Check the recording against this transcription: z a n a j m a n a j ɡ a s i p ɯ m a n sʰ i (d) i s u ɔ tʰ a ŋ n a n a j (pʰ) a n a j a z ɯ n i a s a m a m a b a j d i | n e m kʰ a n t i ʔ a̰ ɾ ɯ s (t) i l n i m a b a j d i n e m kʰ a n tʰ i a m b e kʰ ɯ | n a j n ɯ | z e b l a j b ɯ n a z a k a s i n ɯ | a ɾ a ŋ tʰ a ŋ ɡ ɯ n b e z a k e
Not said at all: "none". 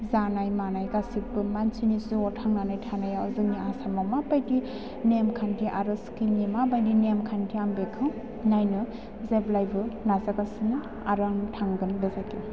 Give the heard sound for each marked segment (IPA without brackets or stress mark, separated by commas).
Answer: n, tʰ, k